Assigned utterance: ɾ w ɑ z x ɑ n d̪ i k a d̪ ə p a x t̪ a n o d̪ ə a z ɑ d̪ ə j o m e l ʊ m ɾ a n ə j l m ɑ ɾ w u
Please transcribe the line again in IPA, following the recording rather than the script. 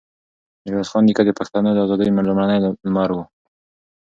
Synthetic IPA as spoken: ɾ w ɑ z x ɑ n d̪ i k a d̪ ə p a x t̪ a n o d̪ ə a z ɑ d̪ ə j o m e l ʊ m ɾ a n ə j l m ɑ ɾ w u